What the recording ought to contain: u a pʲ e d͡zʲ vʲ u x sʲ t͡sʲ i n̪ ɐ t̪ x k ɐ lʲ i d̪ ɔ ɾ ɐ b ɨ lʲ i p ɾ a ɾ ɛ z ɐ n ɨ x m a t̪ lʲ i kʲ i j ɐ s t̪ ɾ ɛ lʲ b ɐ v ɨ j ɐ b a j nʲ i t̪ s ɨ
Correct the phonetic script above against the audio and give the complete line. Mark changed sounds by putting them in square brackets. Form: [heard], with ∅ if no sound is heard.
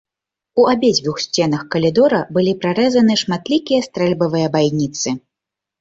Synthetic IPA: u a [bʲ] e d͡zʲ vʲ u x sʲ t͡sʲ [ɛ] n̪ ɐ [∅] x k ɐ lʲ i d̪ ɔ ɾ ɐ b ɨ lʲ i p ɾ a ɾ ɛ z ɐ n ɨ [ʂ] m a t̪ lʲ i kʲ i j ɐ s t̪ ɾ ɛ lʲ b ɐ v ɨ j ɐ b a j nʲ i t̪ s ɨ